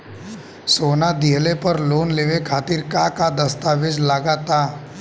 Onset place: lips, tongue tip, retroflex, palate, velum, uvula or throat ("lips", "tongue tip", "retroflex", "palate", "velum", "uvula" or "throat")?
tongue tip